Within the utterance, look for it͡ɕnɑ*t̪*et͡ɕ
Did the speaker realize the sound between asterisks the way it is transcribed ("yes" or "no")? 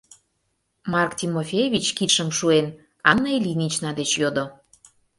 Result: no